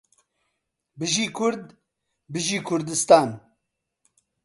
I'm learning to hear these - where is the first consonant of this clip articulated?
lips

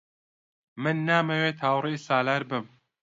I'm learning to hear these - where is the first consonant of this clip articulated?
lips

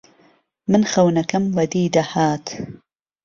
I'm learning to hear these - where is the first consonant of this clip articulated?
lips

